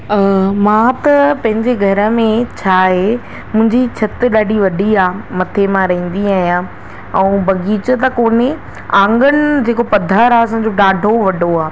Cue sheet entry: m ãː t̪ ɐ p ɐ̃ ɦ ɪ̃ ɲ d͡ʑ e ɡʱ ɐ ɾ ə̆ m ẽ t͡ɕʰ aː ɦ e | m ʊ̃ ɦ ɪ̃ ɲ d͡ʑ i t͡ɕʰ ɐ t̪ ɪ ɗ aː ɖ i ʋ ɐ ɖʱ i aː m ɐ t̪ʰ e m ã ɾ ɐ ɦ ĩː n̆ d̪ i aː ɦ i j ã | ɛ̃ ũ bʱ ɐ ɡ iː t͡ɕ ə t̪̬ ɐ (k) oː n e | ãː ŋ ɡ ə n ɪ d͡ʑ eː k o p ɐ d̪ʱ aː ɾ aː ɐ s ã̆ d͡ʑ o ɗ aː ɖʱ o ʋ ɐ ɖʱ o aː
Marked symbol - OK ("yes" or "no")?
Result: yes